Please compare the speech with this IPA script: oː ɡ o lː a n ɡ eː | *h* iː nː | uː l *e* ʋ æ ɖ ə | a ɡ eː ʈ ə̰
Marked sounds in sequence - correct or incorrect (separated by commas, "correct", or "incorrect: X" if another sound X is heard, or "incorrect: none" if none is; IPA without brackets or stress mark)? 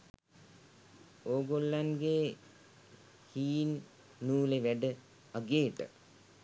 correct, correct